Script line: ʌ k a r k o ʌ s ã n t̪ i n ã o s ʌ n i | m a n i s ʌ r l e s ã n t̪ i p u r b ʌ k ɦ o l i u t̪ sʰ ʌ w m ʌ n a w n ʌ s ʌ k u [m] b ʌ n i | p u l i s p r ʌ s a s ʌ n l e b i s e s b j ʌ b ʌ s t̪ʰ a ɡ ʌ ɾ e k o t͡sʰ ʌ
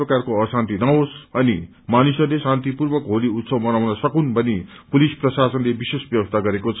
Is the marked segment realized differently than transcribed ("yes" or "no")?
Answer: yes